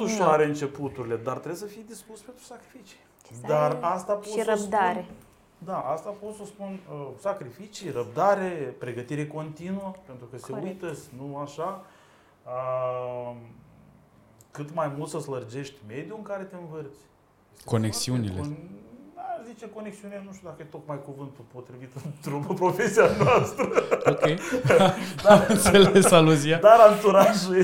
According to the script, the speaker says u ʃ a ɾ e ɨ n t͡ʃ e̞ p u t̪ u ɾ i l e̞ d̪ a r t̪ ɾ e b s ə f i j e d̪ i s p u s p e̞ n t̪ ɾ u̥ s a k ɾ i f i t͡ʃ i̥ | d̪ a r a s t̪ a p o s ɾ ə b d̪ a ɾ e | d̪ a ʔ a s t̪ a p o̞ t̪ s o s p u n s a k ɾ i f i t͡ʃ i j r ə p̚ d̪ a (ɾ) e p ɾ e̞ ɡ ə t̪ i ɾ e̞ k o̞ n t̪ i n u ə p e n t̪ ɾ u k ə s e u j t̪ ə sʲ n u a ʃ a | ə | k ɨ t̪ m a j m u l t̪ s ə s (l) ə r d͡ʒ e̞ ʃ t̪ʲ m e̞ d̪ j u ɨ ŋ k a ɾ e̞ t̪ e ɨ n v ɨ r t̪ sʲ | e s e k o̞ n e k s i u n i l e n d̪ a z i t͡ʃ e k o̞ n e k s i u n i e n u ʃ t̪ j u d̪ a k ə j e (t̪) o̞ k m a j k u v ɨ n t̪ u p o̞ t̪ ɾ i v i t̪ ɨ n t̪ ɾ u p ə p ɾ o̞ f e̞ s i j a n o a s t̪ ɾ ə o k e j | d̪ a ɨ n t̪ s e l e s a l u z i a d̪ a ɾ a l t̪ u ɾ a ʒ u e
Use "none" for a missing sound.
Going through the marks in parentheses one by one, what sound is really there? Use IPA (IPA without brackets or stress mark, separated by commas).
ɾ, l, t̪